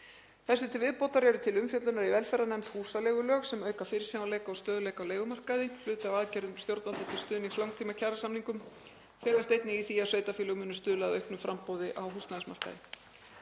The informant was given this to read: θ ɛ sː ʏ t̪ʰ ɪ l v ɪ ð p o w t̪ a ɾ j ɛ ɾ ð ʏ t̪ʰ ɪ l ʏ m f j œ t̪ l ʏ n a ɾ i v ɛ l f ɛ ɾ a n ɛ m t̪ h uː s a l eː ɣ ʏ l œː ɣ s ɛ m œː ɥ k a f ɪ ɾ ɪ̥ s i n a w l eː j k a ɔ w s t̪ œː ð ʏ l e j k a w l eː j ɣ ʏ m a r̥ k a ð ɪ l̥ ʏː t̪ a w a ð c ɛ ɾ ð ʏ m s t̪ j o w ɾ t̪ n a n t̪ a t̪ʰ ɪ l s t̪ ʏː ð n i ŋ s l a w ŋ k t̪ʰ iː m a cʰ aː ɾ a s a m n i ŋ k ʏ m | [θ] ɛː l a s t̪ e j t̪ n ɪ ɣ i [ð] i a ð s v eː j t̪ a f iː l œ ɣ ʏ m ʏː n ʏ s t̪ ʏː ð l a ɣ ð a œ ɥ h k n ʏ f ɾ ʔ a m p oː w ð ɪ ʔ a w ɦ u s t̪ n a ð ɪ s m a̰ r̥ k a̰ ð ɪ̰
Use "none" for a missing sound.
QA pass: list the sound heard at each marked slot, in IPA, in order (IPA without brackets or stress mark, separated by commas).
f, θ